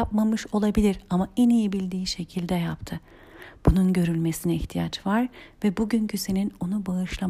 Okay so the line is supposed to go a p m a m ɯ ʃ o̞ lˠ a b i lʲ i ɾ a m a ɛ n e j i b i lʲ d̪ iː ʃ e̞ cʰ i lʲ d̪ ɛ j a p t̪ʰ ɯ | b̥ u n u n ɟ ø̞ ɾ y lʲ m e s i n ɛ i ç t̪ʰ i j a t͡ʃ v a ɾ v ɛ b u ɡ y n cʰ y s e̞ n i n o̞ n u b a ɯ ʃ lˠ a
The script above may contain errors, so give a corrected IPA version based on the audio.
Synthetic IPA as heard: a p m a m ɯ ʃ o̞ lˠ a b i lʲ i ɾ a m a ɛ n i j i b i lʲ d̪ iː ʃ e̞ cʰ i lʲ d̪ ɛ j a p t̪ʰ ɯ | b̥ u n u n ɟ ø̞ ɾ y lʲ m e s i n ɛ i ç t̪ʰ i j a t͡ʃ v a ɾ v ɛ b u ɟ y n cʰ y s e̞ n i n o̞ n u b a ɯ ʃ lˠ a